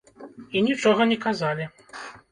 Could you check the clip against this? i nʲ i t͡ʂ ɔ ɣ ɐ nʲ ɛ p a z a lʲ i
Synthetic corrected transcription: i nʲ i t͡ʂ ɔ ɣ ɐ nʲ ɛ k a z a lʲ i